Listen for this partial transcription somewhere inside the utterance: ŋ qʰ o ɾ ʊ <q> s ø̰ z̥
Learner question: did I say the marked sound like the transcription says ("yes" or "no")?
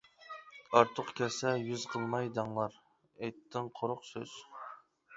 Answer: yes